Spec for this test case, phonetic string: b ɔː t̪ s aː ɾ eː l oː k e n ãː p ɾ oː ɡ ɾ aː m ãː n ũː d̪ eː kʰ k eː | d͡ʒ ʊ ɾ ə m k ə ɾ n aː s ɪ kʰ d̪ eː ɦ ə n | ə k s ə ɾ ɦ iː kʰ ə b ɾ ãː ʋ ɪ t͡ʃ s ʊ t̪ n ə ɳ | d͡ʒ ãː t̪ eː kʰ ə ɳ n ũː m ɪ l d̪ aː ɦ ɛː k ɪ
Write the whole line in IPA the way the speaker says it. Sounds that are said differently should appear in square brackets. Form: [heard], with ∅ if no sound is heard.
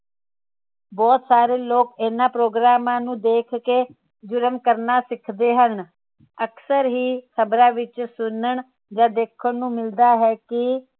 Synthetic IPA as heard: b ɔː t̪ s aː ɾ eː l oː k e n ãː p ɾ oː ɡ ɾ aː m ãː n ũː d̪ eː kʰ k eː | d͡ʒ ʊ ɾ ə m k ə ɾ n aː s ɪ kʰ d̪ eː ɦ ə n | ə k s ə ɾ ɦ iː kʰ ə b ɾ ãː ʋ ɪ t͡ʃ s ʊ [∅] n ə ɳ | d͡ʒ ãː [d̪] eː kʰ ə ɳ n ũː m ɪ l d̪ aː ɦ ɛː k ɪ